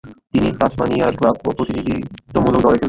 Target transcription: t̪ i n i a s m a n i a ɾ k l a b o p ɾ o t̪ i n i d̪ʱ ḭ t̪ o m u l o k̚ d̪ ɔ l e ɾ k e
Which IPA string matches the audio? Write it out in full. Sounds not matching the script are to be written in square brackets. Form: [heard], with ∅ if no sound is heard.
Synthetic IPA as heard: t̪ i n i a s m a n i a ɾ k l a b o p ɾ o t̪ i n i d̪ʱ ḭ t̪ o m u l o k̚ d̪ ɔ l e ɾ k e